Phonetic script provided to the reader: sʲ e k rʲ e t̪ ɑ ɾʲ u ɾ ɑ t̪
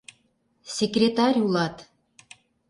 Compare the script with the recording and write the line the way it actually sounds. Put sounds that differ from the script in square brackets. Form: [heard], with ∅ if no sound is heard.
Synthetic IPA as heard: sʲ e k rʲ e t̪ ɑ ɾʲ u [l] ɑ t̪